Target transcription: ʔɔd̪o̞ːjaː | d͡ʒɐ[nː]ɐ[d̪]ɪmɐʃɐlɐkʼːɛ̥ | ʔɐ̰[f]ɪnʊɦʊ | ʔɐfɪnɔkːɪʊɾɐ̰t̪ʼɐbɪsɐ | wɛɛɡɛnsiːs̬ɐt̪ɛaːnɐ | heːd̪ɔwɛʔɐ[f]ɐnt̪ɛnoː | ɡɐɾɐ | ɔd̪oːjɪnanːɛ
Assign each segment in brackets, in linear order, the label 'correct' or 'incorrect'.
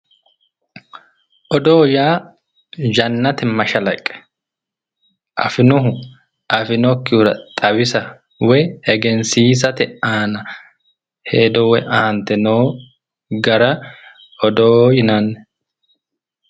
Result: correct, incorrect: t̪, correct, incorrect: h

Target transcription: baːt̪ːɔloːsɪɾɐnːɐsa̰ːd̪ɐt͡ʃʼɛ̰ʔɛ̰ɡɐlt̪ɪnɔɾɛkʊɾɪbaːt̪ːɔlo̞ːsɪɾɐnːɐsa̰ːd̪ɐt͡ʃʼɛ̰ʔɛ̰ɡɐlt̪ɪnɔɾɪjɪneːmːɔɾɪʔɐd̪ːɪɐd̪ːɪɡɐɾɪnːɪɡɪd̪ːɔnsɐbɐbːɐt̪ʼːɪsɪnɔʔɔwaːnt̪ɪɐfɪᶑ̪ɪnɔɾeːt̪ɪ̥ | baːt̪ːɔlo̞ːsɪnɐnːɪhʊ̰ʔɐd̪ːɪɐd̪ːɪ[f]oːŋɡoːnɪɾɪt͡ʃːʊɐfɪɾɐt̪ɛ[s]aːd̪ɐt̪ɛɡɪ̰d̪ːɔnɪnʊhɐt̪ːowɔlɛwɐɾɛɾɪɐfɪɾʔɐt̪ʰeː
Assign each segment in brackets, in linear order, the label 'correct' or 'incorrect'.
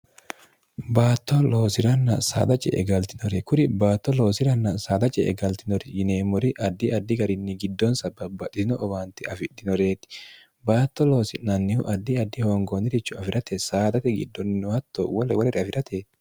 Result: incorrect: h, correct

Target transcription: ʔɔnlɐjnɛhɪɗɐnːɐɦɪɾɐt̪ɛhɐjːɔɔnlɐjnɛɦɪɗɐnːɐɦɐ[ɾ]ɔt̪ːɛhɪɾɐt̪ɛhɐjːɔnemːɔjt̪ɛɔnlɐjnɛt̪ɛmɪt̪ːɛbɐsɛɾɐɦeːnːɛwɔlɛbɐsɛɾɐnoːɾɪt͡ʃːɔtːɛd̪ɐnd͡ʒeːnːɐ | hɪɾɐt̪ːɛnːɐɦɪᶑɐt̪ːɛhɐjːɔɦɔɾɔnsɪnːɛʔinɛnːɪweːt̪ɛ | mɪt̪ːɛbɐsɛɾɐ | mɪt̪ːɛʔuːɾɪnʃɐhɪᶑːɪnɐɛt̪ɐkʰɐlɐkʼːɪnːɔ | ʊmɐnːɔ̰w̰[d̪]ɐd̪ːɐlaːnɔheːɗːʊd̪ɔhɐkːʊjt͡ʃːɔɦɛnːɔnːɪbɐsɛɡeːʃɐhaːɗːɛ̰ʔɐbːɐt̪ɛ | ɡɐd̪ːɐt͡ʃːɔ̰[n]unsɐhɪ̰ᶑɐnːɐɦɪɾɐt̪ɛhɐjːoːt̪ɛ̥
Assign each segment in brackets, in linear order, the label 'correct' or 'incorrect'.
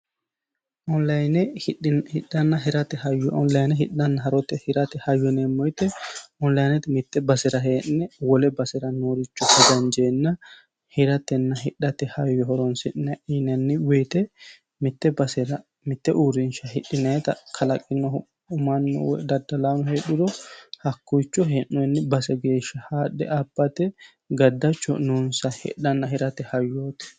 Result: correct, correct, correct

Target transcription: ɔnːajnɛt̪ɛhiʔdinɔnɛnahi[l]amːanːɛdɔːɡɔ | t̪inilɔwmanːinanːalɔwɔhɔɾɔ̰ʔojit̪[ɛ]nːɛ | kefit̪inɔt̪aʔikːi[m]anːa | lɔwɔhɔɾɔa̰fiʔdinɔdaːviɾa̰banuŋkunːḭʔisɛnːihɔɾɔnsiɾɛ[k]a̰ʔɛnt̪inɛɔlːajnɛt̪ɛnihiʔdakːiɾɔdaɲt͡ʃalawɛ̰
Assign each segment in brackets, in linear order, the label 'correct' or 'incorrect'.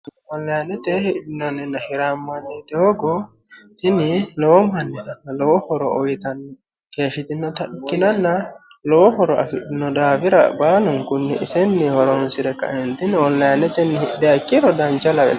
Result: incorrect: ɾ, incorrect: a, incorrect: n, correct

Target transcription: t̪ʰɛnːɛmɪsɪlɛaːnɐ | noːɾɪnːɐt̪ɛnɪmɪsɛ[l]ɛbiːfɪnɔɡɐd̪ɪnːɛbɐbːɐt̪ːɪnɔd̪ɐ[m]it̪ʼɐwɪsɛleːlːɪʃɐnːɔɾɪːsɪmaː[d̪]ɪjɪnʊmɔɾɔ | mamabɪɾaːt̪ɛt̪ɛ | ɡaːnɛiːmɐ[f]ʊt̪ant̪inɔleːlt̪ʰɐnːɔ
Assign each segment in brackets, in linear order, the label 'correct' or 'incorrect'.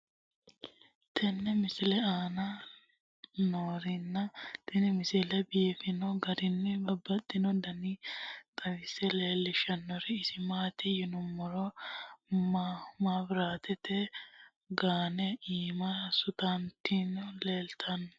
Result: correct, incorrect: n, incorrect: t̪, incorrect: s

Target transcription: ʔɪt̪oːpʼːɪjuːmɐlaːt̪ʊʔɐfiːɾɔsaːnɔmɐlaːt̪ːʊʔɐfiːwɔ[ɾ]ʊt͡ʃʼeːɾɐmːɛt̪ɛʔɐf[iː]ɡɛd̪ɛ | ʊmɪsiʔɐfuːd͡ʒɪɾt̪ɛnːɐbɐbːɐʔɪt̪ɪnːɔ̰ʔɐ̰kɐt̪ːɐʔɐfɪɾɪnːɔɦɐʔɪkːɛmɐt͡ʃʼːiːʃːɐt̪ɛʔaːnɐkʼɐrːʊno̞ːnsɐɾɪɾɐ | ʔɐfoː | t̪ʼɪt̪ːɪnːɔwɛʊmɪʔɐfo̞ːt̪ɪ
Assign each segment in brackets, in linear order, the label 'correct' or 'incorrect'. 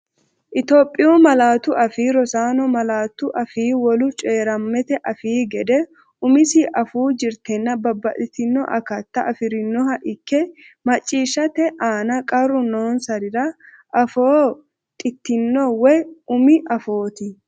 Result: incorrect: l, correct

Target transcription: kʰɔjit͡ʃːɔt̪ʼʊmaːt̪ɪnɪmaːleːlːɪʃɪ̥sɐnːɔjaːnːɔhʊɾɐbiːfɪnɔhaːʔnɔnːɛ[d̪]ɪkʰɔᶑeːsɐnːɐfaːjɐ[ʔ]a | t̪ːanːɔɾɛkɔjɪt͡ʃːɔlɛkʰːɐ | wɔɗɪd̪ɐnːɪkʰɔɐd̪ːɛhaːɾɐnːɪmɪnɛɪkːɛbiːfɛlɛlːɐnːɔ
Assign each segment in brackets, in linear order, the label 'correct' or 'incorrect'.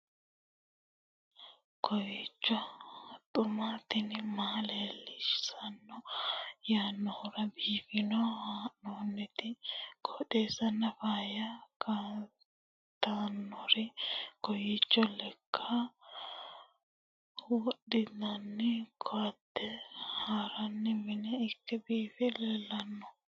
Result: incorrect: t̪, incorrect: k

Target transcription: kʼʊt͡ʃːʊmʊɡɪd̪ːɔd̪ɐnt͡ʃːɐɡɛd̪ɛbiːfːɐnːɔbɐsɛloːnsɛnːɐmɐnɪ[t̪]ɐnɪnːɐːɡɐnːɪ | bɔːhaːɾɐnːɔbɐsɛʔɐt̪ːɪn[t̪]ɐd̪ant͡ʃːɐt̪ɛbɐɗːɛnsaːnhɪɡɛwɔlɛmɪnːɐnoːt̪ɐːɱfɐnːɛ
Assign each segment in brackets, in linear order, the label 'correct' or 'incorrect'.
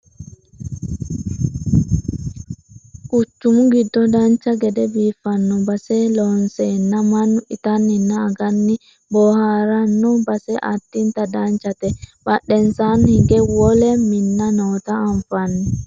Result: correct, correct

